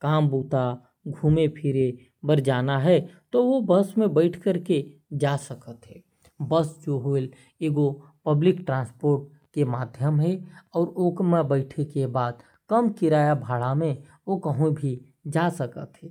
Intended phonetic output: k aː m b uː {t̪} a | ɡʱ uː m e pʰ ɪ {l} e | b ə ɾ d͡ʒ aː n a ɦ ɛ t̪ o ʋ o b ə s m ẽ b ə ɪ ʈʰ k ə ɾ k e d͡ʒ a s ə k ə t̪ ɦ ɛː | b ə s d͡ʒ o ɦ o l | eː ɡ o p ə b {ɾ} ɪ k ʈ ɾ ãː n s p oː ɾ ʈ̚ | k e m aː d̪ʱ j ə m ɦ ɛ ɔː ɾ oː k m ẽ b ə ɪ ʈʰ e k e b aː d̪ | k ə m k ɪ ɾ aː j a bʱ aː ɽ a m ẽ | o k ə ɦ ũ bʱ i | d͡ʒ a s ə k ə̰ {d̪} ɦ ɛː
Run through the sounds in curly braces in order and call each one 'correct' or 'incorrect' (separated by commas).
correct, incorrect, incorrect, incorrect